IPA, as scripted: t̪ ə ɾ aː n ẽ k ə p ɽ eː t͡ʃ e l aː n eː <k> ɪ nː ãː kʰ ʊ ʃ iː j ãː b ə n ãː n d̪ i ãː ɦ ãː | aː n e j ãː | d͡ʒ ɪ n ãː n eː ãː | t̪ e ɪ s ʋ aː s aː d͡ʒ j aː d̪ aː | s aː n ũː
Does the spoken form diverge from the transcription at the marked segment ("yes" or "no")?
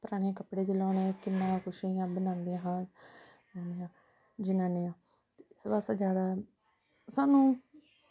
no